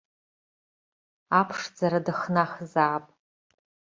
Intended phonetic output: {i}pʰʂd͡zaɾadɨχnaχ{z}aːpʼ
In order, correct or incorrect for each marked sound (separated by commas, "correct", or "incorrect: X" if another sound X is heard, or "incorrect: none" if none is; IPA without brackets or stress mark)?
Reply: incorrect: a, correct